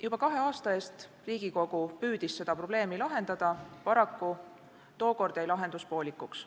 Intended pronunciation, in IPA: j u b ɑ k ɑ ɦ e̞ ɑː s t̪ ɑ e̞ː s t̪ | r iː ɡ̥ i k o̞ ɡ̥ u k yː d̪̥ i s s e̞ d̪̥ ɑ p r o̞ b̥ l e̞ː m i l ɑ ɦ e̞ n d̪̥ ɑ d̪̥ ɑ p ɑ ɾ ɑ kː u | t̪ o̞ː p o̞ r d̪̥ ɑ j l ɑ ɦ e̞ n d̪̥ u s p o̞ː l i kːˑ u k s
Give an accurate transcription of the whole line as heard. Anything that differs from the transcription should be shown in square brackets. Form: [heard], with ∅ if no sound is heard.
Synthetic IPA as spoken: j u b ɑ k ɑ ɦ e̞ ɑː s t̪ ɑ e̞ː s t̪ | r iː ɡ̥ i k o̞ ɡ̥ u [p] yː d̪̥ i s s e̞ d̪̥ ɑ p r o̞ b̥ l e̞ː m i l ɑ ɦ e̞ n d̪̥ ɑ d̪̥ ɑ p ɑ ɾ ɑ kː u | t̪ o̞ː [k] o̞ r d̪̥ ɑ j l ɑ ɦ e̞ n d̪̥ u s p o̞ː l i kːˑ u k s